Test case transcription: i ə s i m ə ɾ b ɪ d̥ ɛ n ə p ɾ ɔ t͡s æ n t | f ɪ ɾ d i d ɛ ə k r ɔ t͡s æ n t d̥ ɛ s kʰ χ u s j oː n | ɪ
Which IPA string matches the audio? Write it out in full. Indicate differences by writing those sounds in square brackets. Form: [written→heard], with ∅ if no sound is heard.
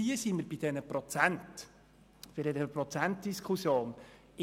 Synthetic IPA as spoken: i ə s i m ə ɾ b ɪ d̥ ɛ n ə p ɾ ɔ t͡s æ n t | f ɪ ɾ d [i→ɛ] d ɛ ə [k→p] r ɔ t͡s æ n t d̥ [ɛ→i] s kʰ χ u s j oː n | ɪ